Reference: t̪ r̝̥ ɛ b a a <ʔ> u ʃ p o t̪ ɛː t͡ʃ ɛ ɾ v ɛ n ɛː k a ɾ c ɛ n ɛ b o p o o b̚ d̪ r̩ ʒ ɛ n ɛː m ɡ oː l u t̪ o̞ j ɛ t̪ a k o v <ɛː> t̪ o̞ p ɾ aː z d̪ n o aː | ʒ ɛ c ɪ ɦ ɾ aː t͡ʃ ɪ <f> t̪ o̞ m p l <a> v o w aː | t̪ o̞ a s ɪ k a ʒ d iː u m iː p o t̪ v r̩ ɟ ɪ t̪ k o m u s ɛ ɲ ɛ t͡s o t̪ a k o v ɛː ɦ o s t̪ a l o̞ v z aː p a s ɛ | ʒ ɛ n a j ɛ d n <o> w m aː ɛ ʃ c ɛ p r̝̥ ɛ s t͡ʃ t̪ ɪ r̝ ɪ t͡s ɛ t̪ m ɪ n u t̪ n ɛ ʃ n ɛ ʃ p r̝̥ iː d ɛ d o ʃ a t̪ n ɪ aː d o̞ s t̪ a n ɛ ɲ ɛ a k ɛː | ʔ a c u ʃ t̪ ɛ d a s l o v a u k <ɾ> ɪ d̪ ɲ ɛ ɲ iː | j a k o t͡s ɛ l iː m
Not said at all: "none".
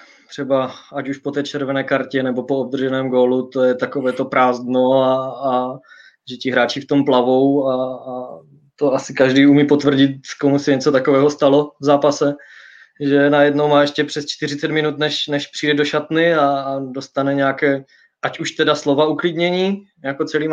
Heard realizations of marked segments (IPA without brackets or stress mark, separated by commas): c, ɛː, f, a, o, l